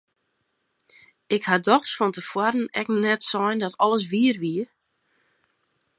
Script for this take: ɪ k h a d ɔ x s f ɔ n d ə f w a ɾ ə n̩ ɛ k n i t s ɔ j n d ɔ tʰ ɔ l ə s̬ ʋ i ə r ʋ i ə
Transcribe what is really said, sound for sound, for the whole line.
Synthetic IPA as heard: ɪ k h a d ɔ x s f ɔ n t ə f w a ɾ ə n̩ ɛ k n ɛ t s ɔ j n d ɔ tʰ ɔ l ə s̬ ʋ i ə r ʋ i ə